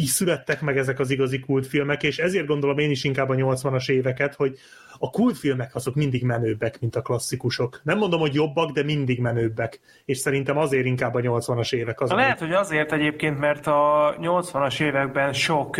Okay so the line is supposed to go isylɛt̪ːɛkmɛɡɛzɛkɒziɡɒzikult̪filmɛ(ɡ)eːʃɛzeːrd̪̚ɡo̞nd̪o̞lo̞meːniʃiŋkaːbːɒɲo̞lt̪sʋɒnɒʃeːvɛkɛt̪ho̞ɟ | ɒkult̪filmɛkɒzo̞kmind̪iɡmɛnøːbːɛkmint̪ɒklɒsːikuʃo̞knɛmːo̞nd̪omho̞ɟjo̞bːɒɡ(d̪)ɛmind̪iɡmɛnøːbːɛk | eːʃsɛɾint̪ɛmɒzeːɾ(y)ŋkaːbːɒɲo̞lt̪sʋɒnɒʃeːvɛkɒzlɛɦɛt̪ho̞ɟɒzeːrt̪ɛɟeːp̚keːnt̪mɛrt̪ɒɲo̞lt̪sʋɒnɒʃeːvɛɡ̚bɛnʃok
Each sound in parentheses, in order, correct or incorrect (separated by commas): incorrect, correct, incorrect